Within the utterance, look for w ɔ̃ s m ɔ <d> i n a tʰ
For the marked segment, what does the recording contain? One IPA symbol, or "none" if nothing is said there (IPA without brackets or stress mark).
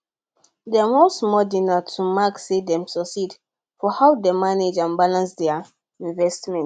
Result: d